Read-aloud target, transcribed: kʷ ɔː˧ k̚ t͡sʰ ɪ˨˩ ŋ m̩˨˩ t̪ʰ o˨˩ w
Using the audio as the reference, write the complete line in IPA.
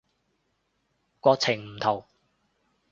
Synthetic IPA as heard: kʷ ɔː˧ k̚ t͡sʰ ɪ˨˩ ŋ m̩˨˩ t̪ʰ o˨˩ w